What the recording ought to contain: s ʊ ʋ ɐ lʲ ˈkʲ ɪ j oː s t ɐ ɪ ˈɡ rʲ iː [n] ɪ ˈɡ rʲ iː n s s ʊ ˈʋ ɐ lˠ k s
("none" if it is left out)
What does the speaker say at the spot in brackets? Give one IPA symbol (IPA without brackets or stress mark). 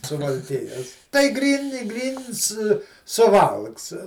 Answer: n